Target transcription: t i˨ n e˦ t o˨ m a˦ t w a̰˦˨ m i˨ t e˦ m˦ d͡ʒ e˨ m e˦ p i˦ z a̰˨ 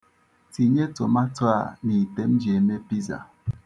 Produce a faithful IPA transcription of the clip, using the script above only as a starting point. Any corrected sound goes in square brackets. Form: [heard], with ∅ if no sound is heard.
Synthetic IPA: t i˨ [ɲ] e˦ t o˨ m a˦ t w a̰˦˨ [n] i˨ t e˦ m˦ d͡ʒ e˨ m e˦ p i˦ z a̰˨